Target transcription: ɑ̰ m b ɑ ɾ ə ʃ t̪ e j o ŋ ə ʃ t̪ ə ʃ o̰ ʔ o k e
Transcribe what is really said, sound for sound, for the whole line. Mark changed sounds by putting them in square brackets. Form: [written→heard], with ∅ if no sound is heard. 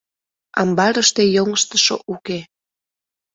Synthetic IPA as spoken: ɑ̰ m b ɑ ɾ ə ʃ t̪ e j o ŋ ə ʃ t̪ ə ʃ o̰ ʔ [o→u] k e